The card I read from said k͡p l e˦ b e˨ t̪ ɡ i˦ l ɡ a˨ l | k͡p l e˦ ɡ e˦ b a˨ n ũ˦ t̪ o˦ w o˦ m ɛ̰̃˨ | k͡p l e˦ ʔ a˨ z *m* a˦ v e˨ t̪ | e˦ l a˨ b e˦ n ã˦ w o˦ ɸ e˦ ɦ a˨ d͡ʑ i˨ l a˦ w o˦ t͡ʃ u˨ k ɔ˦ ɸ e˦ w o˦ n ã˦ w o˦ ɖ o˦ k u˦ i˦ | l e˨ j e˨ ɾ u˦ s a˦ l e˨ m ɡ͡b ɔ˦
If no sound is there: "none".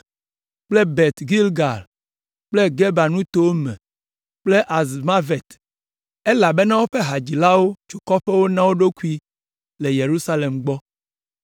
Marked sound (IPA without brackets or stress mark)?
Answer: m